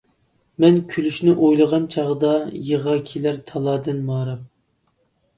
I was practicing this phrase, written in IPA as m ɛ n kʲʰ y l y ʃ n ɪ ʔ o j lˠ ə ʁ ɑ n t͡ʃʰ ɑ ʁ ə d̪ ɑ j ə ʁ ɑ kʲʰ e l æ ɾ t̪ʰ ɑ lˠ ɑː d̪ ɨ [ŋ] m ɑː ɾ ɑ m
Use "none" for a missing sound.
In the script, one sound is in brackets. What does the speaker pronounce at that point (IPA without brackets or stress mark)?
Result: n